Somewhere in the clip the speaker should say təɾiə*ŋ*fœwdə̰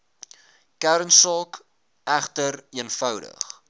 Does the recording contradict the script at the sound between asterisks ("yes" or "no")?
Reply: yes